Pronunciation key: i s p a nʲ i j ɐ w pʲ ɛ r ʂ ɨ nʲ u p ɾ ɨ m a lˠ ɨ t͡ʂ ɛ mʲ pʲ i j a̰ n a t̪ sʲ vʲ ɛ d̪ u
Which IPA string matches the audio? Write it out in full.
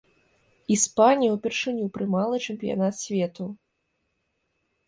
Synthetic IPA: i s p a nʲ i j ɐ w pʲ ɛ r ʂ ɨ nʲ u p ɾ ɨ m a lˠ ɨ t͡ʂ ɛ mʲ pʲ i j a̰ n a t̪ sʲ vʲ ɛ t̪ u